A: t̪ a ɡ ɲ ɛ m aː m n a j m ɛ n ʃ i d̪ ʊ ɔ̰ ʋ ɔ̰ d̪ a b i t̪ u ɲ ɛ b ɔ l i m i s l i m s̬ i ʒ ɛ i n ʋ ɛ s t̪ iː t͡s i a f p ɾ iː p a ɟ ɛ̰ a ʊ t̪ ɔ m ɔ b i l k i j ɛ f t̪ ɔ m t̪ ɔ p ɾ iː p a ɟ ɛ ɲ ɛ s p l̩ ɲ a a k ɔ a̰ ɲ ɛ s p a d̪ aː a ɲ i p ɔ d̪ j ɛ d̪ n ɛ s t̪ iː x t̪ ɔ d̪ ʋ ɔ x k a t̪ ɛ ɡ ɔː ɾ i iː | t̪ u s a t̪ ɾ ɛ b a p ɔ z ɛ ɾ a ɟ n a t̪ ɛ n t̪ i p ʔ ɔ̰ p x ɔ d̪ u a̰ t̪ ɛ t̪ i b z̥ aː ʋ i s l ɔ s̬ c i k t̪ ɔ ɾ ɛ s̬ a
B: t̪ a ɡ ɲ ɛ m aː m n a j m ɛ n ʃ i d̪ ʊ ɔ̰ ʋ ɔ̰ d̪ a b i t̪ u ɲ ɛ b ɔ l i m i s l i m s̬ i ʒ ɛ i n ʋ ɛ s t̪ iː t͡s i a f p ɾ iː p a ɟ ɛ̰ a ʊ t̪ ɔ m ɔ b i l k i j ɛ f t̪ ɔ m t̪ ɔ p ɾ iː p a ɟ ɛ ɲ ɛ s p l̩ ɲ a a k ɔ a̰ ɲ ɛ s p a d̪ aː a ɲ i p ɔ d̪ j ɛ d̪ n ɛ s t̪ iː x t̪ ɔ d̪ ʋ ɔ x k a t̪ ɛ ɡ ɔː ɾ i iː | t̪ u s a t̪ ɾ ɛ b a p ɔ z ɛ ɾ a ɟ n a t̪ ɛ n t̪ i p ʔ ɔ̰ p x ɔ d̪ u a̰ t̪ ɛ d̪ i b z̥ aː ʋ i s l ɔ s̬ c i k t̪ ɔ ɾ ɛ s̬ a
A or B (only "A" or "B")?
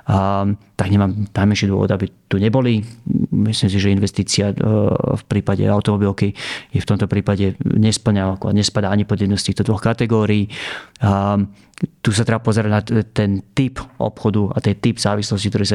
A